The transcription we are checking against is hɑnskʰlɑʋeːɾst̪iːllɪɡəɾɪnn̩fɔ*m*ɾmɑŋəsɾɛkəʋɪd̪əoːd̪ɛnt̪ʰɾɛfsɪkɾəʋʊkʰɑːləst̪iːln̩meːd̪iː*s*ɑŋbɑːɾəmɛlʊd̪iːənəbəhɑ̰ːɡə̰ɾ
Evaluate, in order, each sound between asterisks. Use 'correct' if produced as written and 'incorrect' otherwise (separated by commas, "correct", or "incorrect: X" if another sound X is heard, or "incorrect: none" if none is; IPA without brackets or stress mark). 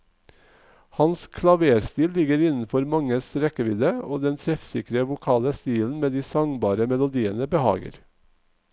incorrect: none, correct